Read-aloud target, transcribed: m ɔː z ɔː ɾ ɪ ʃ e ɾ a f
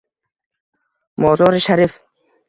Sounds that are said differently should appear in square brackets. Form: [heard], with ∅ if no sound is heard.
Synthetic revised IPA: m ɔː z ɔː ɾ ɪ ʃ [a] ɾ [i] f